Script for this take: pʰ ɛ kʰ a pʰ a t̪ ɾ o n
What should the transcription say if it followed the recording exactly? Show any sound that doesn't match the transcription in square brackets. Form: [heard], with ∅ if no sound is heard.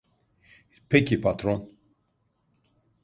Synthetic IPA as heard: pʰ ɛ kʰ [i] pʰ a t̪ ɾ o n